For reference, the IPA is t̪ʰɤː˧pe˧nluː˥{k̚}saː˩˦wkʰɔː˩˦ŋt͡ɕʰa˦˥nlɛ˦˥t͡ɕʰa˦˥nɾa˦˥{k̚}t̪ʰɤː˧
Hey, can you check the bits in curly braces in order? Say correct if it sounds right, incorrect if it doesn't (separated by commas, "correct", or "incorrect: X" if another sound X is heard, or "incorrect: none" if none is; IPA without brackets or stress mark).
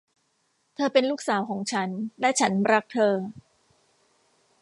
correct, correct